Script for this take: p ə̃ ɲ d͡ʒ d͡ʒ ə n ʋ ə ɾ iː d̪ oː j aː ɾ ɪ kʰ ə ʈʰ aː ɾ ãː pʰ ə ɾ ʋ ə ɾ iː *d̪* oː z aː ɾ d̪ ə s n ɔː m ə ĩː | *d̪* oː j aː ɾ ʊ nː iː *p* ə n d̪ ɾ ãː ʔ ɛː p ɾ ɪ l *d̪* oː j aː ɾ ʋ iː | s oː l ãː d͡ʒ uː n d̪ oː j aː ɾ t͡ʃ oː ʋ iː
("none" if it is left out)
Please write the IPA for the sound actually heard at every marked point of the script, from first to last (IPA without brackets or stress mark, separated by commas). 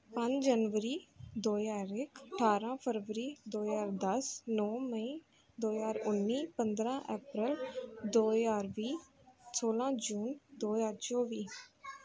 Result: d̪, d̪, p, d̪